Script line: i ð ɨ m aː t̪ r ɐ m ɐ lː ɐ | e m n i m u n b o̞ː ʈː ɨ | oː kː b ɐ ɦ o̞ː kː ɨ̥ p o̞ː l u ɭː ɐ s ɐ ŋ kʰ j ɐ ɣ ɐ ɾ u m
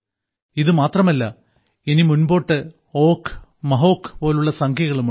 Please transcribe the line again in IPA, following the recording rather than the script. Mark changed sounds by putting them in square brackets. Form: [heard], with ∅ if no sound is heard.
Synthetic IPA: i ð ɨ m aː t̪ r ɐ m ɐ lː ɐ | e [∅] n i m u n b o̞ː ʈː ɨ | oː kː [m] ɐ ɦ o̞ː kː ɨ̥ p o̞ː l u ɭː ɐ s ɐ ŋ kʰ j ɐ ɣ ɐ [ɭ] u m